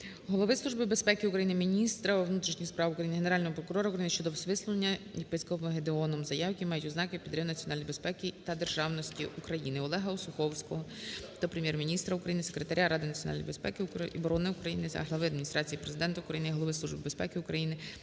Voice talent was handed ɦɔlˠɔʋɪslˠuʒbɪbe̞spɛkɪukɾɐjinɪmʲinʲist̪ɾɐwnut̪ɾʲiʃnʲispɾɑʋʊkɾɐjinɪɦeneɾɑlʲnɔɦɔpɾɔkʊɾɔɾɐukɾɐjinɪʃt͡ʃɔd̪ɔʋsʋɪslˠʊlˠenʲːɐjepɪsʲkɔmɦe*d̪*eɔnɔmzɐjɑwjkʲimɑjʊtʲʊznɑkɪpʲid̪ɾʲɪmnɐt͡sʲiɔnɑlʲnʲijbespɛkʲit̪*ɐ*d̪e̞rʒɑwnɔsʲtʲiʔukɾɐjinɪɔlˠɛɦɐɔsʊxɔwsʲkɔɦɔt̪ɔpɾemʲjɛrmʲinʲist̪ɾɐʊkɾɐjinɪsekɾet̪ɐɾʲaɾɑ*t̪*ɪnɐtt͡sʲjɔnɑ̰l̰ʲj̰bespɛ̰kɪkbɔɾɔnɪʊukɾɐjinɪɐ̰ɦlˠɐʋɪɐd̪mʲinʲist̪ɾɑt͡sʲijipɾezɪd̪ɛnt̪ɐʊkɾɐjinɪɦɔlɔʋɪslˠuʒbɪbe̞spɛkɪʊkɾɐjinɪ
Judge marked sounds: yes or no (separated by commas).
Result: yes, yes, no